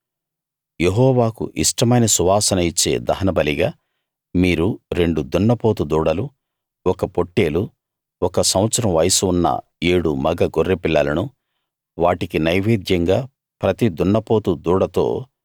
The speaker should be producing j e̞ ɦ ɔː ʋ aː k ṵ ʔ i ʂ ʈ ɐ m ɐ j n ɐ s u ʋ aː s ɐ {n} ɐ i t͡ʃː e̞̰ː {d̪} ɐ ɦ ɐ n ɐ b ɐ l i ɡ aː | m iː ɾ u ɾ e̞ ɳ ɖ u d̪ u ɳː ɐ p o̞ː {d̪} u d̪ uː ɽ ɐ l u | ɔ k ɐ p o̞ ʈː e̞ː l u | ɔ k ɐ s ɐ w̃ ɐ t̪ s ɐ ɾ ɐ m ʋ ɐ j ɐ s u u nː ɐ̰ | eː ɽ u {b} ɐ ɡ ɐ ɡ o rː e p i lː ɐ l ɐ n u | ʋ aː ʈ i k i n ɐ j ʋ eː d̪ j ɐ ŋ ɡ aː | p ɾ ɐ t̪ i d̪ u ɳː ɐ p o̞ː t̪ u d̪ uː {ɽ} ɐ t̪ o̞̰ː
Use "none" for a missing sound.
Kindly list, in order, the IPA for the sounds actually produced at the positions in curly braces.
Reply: n, d̪, t̪, m, ɽ

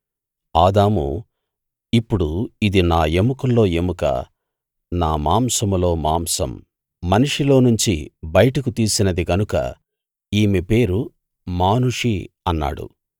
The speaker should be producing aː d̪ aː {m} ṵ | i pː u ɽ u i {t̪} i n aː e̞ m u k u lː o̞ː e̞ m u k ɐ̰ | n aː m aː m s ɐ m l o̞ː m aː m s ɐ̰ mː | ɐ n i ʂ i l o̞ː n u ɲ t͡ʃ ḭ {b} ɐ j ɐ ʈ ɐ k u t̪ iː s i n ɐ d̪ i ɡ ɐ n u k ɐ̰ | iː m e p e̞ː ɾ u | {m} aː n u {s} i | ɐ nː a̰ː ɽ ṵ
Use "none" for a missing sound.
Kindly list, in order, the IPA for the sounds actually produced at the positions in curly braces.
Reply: m, d̪, b, m, ʂ

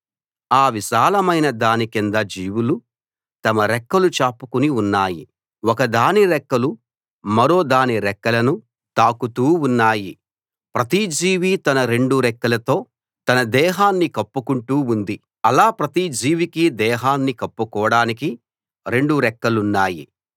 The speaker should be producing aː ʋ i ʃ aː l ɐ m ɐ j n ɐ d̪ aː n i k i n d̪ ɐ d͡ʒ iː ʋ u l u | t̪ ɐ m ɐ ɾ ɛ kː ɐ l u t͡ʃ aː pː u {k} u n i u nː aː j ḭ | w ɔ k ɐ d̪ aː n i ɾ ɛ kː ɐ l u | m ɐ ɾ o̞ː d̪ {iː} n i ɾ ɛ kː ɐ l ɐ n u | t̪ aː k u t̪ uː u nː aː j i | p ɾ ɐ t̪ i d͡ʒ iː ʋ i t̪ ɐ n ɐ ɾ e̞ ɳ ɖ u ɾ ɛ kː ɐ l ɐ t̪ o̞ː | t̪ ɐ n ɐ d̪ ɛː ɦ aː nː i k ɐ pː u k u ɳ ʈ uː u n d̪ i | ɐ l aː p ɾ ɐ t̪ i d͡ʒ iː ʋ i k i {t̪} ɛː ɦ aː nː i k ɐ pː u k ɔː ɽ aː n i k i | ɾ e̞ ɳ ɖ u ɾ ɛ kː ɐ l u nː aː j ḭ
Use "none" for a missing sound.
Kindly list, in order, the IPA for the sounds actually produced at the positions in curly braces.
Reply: k, aː, d̪

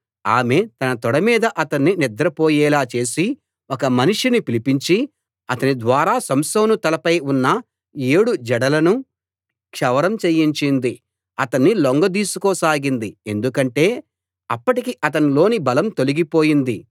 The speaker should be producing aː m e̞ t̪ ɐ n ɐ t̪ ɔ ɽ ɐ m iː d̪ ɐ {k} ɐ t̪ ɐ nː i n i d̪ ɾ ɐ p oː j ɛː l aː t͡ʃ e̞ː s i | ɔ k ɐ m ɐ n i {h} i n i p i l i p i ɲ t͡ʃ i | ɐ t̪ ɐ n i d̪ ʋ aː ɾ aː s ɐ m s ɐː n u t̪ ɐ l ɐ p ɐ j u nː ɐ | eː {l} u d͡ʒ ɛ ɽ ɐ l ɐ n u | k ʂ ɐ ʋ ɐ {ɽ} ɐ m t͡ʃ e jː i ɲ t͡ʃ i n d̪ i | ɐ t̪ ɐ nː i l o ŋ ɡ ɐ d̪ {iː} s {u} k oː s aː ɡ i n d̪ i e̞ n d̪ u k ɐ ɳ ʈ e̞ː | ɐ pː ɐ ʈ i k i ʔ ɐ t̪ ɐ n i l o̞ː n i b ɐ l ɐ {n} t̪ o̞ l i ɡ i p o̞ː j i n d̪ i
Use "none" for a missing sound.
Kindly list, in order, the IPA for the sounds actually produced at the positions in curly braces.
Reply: ʔ, ʂ, ɽ, ɾ, iː, u, m

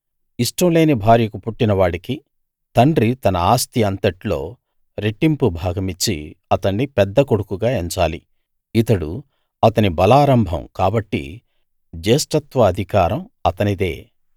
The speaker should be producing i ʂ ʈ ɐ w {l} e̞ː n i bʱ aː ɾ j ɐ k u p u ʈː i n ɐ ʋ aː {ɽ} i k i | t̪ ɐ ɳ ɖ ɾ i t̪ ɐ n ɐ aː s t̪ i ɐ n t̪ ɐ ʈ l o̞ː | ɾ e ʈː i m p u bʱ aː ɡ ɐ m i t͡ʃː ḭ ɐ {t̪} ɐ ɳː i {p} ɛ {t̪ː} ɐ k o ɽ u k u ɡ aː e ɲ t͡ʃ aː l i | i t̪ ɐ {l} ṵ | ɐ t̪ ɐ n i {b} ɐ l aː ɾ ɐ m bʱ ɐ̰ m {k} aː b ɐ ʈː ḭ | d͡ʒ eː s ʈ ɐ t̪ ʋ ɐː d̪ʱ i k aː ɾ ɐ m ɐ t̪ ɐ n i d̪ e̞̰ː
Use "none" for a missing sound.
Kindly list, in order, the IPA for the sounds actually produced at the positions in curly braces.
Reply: l, ɽ, t̪, p, d̪ː, ɽ, b, k

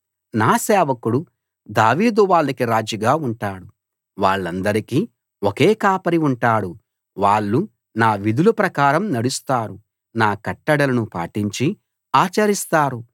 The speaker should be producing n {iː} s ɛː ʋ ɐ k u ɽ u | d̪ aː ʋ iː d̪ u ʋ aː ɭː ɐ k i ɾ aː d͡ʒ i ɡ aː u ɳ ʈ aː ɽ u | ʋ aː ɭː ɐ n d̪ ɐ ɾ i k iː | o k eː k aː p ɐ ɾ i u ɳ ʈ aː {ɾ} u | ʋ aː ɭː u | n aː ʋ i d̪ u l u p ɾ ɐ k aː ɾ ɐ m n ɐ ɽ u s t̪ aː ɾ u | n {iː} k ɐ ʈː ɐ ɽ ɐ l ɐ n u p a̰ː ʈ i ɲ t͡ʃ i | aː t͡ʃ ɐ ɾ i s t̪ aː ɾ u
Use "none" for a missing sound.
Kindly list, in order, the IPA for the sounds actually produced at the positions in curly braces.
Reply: aː, ɽ, aː

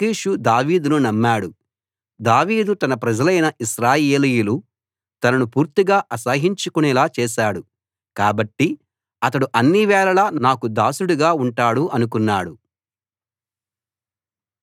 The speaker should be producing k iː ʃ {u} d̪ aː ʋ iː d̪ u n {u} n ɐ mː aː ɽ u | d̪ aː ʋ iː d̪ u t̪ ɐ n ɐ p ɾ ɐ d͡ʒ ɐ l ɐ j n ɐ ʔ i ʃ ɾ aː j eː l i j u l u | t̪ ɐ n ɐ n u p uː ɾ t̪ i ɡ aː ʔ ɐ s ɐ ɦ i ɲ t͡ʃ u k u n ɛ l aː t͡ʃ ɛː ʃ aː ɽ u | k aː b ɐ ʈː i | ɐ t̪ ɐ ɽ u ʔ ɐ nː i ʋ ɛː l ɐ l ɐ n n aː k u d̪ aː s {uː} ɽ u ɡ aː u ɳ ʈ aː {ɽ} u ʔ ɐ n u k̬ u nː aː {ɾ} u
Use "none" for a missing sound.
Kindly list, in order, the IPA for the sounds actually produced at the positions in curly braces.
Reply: u, u, u, ɽ, ɽ

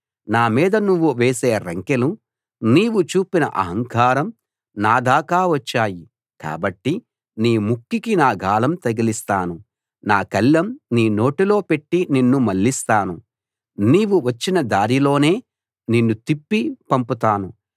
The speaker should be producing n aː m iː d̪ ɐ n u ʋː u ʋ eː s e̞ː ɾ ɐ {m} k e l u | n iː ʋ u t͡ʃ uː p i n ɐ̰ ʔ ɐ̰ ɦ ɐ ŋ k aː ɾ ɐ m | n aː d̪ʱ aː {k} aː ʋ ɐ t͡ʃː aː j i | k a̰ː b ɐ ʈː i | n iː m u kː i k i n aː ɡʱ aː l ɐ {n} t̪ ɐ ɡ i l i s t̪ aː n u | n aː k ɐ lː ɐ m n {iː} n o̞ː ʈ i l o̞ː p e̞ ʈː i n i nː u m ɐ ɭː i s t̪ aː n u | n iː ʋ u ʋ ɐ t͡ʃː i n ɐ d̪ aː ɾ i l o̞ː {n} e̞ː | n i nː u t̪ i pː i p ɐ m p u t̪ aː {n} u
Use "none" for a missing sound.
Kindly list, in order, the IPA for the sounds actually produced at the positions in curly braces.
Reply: ŋ, k, m, iː, n, n

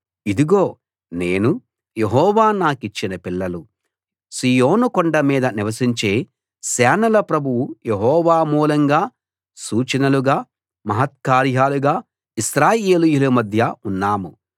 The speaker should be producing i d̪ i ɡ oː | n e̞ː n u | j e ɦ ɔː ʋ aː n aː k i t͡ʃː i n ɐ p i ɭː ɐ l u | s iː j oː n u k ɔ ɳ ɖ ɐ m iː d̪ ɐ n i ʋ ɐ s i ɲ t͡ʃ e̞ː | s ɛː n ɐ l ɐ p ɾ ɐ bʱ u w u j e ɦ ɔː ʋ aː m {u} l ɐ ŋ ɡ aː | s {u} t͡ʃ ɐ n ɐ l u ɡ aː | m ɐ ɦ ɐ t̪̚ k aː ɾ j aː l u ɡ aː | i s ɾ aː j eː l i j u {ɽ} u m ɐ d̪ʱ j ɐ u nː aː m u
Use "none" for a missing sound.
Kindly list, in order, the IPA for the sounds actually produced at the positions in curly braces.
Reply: uː, uː, l

